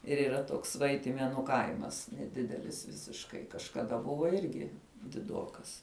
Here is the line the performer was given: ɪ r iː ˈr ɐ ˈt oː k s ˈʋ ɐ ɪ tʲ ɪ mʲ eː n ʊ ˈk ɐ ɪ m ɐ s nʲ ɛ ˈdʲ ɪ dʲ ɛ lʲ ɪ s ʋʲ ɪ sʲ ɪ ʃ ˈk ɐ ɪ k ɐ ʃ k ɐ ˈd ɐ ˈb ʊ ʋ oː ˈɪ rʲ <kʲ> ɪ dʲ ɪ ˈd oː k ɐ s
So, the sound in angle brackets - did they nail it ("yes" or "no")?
no